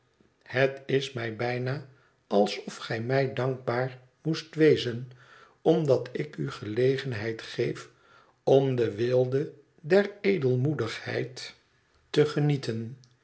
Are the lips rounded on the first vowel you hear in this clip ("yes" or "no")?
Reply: no